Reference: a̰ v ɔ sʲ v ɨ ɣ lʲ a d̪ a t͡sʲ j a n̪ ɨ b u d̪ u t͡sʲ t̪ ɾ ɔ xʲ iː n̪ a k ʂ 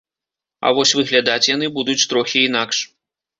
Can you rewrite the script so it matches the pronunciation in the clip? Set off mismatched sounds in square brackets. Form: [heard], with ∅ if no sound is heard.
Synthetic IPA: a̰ v ɔ sʲ v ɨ ɣ lʲ a d̪ a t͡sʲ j a n̪ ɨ b u d̪ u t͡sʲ t̪ ɾ ɔ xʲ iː n̪ a k ʂ